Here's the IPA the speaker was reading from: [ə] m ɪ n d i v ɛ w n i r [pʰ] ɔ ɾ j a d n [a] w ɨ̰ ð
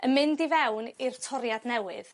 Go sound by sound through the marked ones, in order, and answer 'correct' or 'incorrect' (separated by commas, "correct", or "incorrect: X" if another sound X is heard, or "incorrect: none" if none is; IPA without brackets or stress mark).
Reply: correct, incorrect: tʰ, incorrect: ɛ